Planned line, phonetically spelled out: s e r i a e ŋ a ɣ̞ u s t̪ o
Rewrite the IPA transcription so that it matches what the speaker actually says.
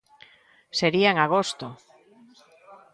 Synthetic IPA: s e ɾ i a e ŋ a ɣ̞ o s t̪ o